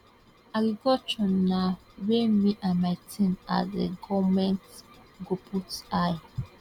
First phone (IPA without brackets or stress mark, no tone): a